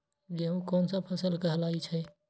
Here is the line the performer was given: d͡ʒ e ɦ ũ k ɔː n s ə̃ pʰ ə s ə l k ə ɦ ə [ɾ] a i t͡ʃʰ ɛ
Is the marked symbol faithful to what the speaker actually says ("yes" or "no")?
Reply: no